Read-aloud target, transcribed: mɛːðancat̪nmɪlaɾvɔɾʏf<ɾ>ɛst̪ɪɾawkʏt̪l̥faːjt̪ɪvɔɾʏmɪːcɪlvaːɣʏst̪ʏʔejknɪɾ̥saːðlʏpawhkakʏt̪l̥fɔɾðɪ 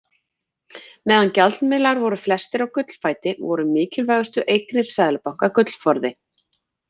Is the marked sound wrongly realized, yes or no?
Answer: yes